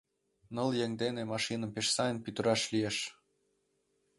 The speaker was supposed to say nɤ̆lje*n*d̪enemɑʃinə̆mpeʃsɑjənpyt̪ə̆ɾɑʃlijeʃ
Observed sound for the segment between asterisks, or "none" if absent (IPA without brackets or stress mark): ŋ